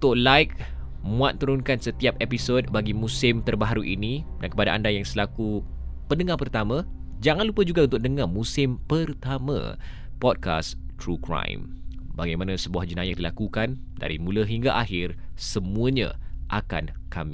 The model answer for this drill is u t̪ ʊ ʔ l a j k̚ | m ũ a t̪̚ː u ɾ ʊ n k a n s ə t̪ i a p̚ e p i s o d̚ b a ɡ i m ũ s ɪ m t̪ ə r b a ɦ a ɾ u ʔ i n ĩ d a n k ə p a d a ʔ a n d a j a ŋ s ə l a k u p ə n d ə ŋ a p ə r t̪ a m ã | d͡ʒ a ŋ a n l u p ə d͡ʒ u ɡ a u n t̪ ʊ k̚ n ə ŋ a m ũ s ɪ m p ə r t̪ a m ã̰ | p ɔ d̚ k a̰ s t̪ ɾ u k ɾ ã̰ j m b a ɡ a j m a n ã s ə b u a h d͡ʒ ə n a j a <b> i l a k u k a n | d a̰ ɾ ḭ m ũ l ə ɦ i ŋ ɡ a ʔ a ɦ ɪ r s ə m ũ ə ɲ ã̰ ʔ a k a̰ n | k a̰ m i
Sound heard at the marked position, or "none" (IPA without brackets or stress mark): d